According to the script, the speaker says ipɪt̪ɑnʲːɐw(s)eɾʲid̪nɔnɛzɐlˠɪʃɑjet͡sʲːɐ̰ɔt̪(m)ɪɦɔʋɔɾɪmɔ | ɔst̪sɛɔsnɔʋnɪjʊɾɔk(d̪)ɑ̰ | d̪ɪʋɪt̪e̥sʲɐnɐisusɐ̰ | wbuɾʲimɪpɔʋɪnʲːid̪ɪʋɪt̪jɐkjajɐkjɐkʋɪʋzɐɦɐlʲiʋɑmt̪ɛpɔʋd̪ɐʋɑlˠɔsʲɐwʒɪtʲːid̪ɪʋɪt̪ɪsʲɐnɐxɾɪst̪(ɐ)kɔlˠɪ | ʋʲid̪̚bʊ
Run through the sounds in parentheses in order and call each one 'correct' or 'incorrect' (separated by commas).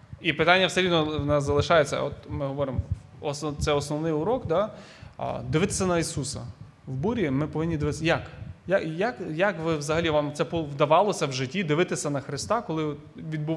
correct, correct, correct, incorrect